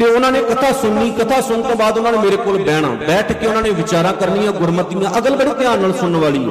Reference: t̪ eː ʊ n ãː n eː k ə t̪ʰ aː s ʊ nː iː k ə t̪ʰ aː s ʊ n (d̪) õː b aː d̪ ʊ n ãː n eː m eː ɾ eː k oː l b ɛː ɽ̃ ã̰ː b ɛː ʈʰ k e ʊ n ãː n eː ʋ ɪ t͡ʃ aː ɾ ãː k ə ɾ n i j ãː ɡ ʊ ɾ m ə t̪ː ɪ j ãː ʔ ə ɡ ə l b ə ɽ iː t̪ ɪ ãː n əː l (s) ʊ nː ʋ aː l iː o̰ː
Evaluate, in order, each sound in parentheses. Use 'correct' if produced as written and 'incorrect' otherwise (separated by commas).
incorrect, correct